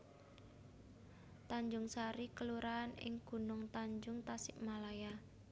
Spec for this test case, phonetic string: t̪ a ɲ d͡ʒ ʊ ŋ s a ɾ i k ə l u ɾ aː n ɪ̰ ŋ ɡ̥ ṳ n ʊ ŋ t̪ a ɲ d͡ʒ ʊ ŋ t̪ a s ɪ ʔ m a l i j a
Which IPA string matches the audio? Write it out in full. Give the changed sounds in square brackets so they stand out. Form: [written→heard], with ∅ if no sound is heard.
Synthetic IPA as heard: t̪ a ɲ d͡ʒ ʊ ŋ s a ɾ i k ə l u ɾ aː n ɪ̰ ŋ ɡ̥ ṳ n ʊ ŋ t̪ a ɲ d͡ʒ ʊ ŋ t̪ a s ɪ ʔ m a l [i→a] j a